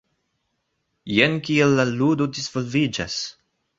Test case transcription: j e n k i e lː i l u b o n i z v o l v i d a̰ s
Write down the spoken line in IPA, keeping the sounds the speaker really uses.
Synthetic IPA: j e n k i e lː a l u d o d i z v o l v i d͡ʒ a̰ s